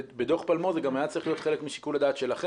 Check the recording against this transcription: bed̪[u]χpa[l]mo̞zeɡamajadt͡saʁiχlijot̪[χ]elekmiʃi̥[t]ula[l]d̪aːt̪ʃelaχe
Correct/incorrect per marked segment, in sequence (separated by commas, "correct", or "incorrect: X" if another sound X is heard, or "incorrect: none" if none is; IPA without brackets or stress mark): incorrect: o, correct, correct, incorrect: k, incorrect: none